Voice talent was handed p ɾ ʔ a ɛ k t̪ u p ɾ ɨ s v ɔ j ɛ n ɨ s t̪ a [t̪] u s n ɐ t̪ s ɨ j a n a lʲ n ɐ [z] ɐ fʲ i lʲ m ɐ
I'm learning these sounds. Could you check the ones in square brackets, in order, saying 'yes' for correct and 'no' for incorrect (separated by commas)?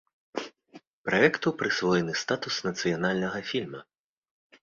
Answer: yes, no